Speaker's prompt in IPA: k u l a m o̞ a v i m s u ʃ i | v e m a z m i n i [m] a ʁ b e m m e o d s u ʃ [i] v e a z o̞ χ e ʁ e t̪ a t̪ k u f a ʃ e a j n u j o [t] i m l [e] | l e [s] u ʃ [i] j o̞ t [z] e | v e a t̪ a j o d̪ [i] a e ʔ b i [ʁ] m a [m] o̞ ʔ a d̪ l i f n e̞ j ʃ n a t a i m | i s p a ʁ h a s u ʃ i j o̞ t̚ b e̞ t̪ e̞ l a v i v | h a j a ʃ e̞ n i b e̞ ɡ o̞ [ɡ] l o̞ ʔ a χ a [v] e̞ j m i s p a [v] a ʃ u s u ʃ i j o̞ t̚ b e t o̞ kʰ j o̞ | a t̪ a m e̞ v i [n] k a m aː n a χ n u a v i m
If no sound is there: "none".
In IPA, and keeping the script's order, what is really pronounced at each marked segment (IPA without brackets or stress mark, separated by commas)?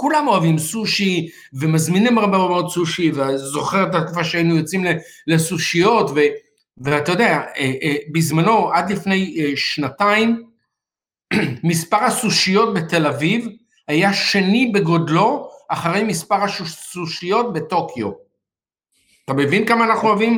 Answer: m, i, t͡s, e, s, i, v, e, z, n, d, ʁ, ʁ, n